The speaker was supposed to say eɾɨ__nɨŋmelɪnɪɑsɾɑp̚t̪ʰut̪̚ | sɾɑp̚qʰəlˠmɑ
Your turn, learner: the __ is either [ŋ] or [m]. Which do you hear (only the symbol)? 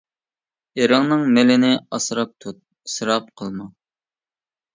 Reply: ŋ